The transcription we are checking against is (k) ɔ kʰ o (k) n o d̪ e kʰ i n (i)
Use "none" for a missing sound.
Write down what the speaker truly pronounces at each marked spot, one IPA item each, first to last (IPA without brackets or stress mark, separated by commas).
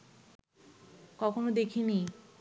k, none, i